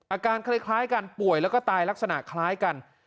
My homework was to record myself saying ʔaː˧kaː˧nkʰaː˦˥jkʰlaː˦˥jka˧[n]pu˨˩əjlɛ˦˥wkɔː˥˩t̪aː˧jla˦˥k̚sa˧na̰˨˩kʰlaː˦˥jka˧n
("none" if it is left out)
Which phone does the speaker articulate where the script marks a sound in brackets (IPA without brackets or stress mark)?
n